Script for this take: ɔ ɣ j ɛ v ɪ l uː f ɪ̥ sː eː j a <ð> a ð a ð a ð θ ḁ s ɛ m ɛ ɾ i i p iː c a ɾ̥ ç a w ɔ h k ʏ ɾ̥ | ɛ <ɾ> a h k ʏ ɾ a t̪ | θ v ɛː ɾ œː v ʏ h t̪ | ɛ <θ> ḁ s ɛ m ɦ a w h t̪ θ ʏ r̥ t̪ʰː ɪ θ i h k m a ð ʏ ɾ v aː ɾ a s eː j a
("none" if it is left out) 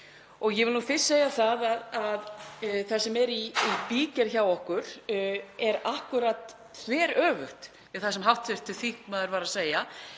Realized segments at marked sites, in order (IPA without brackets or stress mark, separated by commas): θ, ɾ, θ